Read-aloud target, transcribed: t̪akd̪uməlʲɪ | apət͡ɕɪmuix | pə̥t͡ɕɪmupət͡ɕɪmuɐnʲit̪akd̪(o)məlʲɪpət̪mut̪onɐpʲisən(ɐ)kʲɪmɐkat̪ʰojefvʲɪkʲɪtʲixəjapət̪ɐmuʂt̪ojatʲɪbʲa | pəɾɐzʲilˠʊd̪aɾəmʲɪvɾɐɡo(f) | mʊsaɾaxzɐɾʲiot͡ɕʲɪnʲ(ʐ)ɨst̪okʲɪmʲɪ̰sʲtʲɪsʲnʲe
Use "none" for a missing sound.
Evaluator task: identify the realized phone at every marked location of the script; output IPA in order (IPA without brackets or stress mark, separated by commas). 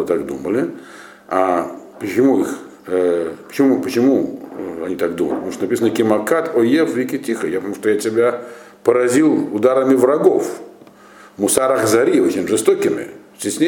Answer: u, ə, f, ʐ